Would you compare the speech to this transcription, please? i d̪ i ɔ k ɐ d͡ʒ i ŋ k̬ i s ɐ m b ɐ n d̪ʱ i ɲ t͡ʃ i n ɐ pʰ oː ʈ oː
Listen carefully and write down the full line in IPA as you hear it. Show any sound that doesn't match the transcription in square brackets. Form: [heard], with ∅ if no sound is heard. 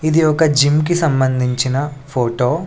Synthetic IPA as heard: i d̪ i ɔ k ɐ d͡ʒ i [m] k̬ i s ɐ m b ɐ n d̪ʱ i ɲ t͡ʃ i n ɐ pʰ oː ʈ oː